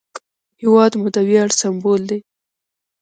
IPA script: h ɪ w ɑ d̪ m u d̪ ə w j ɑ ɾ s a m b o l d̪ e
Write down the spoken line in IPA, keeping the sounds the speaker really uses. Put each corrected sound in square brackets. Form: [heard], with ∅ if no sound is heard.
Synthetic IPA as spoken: h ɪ w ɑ d̪ m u d̪ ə w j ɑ [ɽ] s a m b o l d̪ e